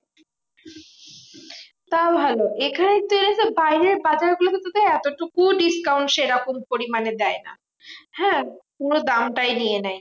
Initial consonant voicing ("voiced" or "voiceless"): voiceless